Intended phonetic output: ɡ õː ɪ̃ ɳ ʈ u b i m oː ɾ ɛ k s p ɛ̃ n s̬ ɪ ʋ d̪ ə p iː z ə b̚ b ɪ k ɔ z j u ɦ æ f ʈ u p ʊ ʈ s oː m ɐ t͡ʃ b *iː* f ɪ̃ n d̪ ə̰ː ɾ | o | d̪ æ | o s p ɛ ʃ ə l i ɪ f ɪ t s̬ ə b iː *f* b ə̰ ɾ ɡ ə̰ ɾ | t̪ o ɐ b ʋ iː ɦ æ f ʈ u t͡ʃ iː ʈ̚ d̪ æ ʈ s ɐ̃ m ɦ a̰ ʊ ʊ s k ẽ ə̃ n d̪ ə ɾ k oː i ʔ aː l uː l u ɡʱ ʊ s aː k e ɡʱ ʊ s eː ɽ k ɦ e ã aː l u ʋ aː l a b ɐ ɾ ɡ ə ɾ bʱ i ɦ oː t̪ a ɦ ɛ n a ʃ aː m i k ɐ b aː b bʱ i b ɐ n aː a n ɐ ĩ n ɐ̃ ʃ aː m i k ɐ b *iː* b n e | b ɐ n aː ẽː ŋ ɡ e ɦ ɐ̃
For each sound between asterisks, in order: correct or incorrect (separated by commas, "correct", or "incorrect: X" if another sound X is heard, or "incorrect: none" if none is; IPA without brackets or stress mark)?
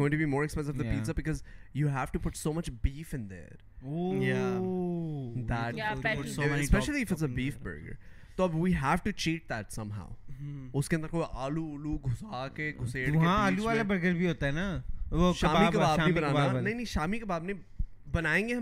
correct, correct, incorrect: aː